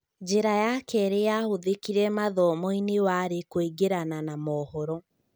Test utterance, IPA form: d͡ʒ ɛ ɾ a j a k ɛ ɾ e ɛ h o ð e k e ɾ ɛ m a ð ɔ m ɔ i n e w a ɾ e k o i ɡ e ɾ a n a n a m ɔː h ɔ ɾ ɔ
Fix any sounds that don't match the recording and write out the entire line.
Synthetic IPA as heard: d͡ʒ e ɾ a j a k ɛ ɾ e a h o ð e k i ɾ ɛ m a ð ɔ m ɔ i n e w a ɾ e k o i ɡ e ɾ a n a n a m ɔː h ɔ ɾ ɔ